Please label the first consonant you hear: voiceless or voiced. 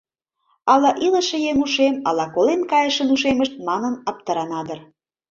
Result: voiced